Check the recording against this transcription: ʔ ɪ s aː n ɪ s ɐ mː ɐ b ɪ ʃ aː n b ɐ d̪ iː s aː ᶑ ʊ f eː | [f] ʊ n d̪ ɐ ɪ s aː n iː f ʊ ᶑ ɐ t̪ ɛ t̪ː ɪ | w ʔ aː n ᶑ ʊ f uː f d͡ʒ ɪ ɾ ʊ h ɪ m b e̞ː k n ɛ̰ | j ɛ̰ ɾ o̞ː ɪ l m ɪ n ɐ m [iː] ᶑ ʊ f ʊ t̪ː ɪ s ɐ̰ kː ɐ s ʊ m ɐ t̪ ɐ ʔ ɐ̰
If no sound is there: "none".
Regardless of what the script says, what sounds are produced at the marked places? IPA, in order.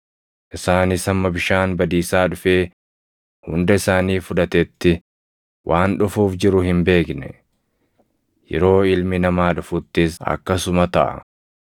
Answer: h, aː

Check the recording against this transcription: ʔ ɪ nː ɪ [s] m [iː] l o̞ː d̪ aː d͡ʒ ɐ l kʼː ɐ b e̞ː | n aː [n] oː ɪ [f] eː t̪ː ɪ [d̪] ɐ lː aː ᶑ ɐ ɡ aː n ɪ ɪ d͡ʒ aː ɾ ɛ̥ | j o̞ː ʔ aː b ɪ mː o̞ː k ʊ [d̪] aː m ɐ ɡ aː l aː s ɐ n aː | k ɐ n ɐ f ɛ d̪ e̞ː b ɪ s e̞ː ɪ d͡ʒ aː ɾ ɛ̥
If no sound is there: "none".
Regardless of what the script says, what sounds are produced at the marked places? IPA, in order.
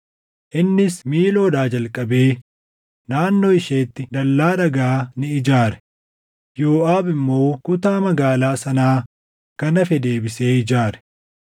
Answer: s, iː, nː, ʃ, d̪, t̪

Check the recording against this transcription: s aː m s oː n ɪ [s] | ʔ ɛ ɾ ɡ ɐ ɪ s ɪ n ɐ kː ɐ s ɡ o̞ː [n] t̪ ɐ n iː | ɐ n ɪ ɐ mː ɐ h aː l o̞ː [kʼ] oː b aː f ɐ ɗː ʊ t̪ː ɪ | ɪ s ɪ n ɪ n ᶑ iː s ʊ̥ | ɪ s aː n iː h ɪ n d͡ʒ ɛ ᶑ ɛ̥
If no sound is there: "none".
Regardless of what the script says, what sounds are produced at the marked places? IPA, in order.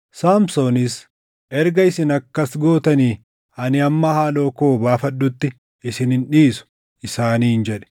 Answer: s, none, k

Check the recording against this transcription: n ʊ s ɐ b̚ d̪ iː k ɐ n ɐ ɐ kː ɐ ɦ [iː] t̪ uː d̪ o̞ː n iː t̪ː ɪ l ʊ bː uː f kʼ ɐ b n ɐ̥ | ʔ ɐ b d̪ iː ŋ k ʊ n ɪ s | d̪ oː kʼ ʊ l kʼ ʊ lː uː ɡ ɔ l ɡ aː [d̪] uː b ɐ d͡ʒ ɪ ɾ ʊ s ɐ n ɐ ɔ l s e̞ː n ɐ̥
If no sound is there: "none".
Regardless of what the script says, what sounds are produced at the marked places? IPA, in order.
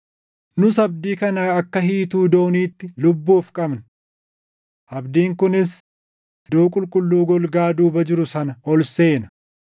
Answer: iː, d̪

